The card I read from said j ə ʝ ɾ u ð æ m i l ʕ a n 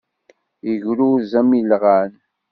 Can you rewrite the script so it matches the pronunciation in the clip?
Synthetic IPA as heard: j ə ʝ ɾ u z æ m i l ʁ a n